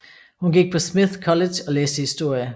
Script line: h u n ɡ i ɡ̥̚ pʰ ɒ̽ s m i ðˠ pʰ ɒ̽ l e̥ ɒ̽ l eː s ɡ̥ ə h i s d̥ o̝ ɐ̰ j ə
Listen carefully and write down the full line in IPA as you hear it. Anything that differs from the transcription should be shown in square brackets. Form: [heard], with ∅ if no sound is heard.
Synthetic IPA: h u n ɡ i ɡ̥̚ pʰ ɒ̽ s m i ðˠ [kʰ] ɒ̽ l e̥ ɒ̽ l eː s [d̥] ə h i s d̥ o̝ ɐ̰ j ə